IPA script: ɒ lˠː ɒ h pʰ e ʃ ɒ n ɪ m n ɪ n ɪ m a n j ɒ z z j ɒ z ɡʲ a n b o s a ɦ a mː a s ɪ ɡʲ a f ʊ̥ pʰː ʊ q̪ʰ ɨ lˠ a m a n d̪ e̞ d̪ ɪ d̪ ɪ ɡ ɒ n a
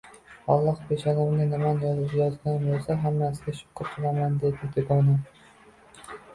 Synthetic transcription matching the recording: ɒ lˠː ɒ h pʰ e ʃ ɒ n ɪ m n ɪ n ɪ m a n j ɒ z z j ɒ z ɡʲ a n b o s a ɦ a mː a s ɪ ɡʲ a ʃ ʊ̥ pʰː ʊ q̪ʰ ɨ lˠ a m a n d̪ e̞ d̪ ɪ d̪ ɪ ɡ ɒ n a